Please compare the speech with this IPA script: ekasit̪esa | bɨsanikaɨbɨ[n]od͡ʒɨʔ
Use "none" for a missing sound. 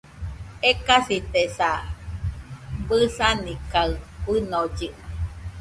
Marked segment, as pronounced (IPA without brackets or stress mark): n